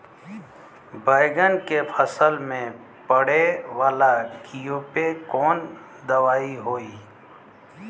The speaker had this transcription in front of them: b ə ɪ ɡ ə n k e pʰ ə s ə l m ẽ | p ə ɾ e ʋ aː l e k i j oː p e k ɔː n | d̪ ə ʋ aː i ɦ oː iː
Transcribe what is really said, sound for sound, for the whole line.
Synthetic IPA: b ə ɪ ɡ ə n k e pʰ ə s ə l m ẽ | p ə ɽ e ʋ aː l a k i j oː p e k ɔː n | d̪ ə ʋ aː i ɦ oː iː